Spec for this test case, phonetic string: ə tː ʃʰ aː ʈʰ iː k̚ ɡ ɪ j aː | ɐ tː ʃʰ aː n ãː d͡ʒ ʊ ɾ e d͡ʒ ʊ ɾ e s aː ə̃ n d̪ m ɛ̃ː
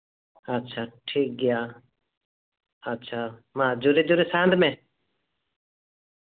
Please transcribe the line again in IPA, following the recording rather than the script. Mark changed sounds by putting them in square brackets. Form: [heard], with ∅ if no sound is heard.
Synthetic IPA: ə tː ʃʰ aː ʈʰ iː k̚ ɡ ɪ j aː | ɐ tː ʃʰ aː [m] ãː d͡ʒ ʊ ɾ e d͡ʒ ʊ ɾ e s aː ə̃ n d̪ m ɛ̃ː